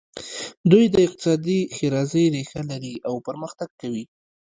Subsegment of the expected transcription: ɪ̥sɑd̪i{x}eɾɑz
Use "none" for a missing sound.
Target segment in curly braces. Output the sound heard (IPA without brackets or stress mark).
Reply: x